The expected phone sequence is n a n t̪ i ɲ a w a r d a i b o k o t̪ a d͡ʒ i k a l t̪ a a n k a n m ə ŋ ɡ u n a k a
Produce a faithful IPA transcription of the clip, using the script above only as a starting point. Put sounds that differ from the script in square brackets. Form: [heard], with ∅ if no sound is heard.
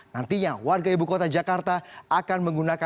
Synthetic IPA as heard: n a n t̪ i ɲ a w a r [ɡ] a i b [u] k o t̪ a d͡ʒ [a] k a [r] t̪ a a [∅] k a n m ə ŋ ɡ u n a k a